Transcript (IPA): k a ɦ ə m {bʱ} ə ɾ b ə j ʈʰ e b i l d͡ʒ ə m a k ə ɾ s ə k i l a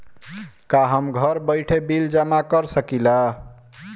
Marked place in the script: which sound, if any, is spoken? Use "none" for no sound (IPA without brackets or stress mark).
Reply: ɡʱ